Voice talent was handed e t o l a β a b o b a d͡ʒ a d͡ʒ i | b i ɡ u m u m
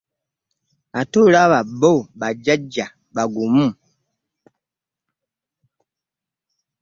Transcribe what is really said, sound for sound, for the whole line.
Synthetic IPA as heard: a t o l a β a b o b a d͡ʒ a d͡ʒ a | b a ɡ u m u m